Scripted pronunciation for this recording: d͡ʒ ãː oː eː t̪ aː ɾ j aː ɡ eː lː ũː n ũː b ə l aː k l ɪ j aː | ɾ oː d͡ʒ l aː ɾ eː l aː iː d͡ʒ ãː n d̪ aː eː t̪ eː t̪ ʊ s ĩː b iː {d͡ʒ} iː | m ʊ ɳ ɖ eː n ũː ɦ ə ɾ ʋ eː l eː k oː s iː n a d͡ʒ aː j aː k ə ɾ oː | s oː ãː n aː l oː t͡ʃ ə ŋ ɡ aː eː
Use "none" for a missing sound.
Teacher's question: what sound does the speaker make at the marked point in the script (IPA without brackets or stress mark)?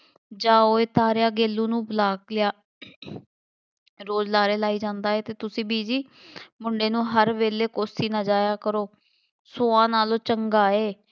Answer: d͡ʒ